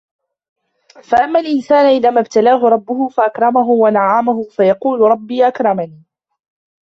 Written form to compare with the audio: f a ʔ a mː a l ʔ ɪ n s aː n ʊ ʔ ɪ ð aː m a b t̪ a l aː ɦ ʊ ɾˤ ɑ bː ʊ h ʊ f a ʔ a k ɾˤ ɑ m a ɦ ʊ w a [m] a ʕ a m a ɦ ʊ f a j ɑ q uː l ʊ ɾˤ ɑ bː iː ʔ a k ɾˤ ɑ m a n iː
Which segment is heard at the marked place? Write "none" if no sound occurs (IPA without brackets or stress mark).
n